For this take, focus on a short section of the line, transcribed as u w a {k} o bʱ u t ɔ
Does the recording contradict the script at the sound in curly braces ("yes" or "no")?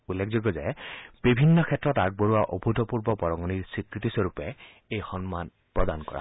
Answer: yes